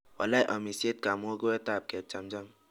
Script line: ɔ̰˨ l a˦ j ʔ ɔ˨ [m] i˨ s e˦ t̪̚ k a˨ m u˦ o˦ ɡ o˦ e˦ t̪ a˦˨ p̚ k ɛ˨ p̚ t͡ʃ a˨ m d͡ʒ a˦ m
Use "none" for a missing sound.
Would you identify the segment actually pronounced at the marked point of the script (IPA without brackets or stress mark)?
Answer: m